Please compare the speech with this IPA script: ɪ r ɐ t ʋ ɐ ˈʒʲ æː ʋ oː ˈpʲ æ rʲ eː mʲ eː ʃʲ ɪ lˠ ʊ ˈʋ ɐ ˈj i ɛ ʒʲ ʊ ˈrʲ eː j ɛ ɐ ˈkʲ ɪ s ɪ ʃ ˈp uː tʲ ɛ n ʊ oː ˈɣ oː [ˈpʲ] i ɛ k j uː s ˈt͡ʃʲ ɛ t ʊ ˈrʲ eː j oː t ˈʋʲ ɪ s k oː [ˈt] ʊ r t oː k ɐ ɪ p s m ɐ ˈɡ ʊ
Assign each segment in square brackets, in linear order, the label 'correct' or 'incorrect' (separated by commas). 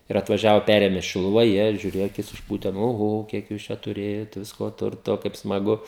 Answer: incorrect, correct